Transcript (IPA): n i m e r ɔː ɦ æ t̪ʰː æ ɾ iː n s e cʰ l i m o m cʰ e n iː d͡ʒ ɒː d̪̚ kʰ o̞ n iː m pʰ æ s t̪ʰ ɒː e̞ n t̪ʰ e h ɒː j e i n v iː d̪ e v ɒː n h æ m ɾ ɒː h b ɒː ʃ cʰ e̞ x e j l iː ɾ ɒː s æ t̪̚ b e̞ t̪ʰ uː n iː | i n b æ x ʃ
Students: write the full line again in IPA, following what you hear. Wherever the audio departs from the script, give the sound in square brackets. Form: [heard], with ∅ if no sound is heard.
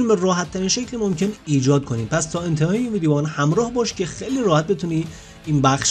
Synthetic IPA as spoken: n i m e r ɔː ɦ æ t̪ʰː æ ɾ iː n [ʃ] e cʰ l i m o m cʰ e n iː d͡ʒ ɒː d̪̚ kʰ o̞ n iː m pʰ æ s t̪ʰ ɒː e̞ n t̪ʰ e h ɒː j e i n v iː d̪ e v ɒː n h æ m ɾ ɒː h b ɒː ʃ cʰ e̞ x e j l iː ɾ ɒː [h] æ t̪̚ b e̞ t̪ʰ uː n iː | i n b æ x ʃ